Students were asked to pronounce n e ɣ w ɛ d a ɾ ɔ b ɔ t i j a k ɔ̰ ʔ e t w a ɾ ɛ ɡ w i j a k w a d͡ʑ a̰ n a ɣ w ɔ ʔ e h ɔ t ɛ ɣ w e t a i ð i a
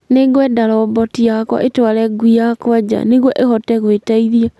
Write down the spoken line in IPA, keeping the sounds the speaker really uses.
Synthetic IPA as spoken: n e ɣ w ɛ d a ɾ ɔ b ɔ t i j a k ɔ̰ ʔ e t w a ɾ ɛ ɡ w i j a k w a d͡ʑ a̰ n e ɣ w ɔ ʔ e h ɔ t ɛ ɣ w e t a i ð i a